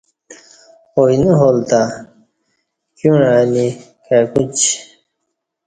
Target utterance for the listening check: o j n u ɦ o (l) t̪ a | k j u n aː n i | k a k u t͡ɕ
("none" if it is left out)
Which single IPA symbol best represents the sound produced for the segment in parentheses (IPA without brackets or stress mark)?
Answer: l